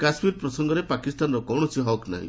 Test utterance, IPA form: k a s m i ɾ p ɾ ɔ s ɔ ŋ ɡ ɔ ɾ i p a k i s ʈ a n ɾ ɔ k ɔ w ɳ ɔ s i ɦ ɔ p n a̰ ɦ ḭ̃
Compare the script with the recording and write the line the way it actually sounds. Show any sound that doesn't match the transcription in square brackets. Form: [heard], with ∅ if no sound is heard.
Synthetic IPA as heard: k a s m i ɾ p ɾ ɔ s ɔ ŋ ɡ ɔ ɾ [e] p a k i s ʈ a n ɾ ɔ k ɔ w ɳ ɔ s i ɦ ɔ [k] n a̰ ɦ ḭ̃